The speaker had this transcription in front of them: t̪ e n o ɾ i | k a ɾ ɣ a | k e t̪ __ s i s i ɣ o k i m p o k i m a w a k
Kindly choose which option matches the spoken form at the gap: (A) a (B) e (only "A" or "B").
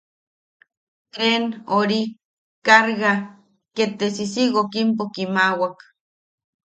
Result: B